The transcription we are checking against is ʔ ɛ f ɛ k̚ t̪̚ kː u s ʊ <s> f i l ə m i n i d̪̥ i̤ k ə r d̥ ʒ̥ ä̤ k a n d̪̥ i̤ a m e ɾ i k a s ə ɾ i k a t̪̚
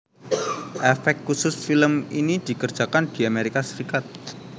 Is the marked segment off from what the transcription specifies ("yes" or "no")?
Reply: no